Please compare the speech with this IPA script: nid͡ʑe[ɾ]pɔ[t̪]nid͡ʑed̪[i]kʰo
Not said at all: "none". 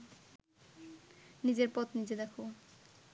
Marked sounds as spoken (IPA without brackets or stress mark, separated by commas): ɾ, t̪, ɛ